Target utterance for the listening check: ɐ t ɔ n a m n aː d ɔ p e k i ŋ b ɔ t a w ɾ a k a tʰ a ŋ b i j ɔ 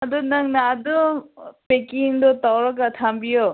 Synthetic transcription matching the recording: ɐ d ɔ n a ŋ n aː d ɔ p e k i ŋ d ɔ t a w ɾ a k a tʰ a m b i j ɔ